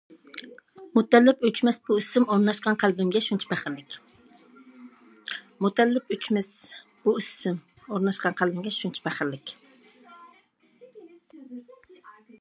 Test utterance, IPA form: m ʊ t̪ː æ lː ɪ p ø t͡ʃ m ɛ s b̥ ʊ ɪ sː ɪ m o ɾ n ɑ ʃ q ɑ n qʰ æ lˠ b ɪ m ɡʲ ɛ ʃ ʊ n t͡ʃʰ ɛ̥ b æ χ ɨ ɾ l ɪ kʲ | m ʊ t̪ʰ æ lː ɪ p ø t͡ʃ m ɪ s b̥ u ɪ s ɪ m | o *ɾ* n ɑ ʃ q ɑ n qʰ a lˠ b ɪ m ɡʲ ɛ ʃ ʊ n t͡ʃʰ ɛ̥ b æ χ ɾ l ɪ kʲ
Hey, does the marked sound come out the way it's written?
yes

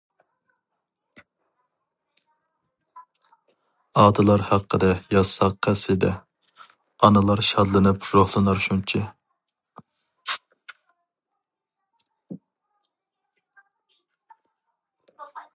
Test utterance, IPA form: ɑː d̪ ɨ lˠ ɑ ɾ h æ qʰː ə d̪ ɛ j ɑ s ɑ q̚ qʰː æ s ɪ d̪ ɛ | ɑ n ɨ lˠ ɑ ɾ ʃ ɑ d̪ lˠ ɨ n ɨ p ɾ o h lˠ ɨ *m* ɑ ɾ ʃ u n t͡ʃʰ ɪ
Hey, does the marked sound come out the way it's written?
no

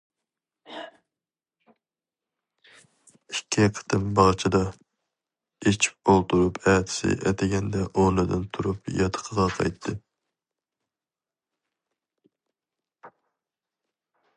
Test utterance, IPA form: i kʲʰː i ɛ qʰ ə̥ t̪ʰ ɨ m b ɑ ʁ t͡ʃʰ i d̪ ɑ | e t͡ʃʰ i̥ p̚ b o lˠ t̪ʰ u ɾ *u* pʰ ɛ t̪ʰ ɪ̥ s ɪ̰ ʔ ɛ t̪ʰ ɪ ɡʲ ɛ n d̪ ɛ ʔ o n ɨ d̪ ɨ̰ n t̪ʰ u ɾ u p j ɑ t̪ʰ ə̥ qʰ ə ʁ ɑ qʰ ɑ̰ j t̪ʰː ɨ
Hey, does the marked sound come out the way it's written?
yes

